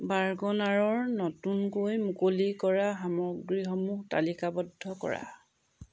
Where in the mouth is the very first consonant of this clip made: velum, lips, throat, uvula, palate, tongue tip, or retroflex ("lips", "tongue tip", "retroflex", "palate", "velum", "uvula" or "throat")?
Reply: lips